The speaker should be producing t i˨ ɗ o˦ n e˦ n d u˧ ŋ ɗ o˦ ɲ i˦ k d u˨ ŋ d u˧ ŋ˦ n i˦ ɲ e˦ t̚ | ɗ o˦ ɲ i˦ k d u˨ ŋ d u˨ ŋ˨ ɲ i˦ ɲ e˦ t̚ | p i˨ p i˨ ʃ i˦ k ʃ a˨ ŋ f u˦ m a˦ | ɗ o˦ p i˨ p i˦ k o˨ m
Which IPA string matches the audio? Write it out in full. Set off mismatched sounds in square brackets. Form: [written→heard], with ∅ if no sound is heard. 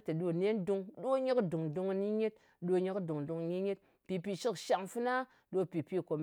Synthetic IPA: t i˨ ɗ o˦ n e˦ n d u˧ ŋ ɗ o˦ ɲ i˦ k d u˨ ŋ d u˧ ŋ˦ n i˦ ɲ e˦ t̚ | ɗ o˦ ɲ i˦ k d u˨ ŋ d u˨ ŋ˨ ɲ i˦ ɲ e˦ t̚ | p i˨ p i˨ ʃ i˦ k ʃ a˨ ŋ f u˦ [m→n] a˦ | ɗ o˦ p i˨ p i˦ k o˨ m